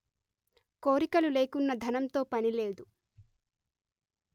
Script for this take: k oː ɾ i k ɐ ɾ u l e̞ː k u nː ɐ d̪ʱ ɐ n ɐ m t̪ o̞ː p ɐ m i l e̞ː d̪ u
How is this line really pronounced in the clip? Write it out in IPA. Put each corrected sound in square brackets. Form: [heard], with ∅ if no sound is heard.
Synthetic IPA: k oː ɾ i k ɐ [l] u l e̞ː k u nː ɐ d̪ʱ ɐ n ɐ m t̪ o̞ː p ɐ [n] i l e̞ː d̪ u